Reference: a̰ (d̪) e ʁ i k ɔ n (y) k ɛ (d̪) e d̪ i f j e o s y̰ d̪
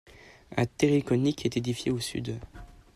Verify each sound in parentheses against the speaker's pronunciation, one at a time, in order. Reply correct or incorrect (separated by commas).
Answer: incorrect, incorrect, incorrect